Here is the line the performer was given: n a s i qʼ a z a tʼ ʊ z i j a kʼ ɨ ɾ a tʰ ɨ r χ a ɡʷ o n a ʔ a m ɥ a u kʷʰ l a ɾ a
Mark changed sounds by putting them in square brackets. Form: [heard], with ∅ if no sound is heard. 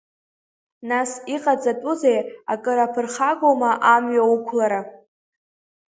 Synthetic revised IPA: n a s i qʼ a [d͡z] a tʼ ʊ z [e] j a kʼ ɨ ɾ a [pʰ] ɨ r χ a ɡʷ o [m] a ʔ a m ɥ a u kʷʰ l a ɾ a